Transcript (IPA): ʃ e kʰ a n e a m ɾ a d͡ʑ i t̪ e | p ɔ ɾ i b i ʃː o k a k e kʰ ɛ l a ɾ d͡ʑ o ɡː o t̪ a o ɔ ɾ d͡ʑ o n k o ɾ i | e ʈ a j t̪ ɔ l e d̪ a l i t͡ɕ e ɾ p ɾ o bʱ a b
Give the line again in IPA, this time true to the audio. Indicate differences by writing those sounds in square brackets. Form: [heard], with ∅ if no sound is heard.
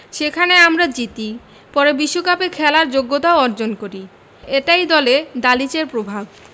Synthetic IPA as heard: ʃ e kʰ a n e a m ɾ a d͡ʑ i t̪ [i] | p ɔ ɾ [e] b i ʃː o k a [p] e kʰ ɛ l a ɾ d͡ʑ o ɡː o t̪ a o ɔ ɾ d͡ʑ o n k o ɾ i | e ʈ a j [d̪] ɔ l e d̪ a l i t͡ɕ e ɾ p ɾ o bʱ a b